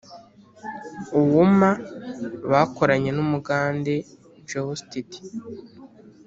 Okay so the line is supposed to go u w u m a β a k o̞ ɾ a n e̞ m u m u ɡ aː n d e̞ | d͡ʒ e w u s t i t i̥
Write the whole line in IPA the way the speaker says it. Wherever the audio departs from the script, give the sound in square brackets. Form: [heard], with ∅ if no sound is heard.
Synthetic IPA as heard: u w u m a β a k o̞ ɾ a [ɲ] e̞ [n] u m u ɡ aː n d e̞ | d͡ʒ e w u s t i t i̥